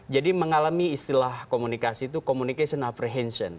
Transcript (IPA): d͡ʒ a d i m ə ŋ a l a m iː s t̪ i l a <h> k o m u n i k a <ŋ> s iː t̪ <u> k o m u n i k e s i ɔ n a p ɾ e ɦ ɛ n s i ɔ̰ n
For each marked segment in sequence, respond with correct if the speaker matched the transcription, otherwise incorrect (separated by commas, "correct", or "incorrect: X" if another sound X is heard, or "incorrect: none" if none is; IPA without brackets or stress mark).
correct, incorrect: none, correct